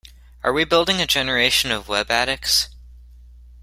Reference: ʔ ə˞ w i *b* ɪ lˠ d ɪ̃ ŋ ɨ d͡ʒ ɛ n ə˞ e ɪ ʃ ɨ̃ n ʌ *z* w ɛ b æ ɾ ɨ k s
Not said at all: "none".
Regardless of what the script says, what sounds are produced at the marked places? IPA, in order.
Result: b, v

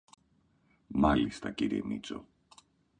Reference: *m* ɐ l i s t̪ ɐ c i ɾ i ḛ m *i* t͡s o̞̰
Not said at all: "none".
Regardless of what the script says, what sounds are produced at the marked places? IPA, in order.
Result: m, i

